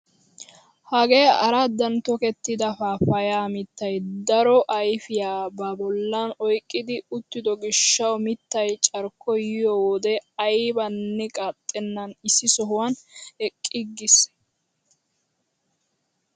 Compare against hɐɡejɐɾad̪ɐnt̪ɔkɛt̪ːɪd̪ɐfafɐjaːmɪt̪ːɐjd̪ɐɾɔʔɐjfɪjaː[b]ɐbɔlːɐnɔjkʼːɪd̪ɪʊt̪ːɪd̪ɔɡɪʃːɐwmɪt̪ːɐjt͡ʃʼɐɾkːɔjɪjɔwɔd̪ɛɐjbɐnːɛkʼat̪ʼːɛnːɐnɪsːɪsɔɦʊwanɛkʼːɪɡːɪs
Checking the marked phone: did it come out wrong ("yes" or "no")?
no